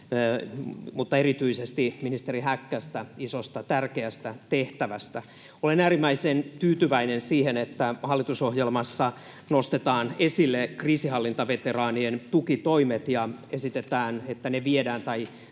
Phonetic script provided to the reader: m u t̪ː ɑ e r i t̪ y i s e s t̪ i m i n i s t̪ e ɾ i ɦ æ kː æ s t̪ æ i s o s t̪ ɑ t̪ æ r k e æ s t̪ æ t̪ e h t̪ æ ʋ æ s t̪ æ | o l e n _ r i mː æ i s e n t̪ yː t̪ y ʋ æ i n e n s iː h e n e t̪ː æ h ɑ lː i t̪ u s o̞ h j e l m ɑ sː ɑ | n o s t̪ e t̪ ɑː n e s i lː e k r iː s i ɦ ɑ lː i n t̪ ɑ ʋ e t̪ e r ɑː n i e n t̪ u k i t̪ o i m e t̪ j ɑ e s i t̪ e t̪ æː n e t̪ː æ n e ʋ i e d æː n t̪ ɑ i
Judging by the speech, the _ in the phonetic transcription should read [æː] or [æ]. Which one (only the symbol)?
æː